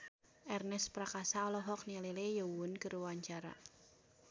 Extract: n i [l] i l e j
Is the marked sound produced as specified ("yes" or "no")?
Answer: yes